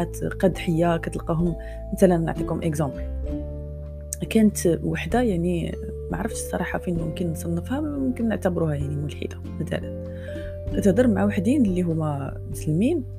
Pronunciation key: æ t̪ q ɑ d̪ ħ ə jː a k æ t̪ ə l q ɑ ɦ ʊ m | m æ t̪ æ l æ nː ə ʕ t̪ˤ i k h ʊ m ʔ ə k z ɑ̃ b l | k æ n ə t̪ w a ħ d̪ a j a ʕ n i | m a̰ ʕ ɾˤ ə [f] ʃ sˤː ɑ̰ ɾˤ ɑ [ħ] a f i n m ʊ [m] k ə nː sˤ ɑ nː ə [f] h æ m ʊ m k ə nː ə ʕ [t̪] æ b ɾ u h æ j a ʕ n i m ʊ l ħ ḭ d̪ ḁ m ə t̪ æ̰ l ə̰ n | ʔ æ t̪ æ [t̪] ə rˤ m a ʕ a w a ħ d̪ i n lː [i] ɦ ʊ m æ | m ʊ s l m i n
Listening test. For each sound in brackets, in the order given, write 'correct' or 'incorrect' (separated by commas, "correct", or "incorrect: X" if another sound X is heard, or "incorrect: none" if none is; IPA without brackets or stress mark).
correct, correct, correct, correct, correct, incorrect: d̪, correct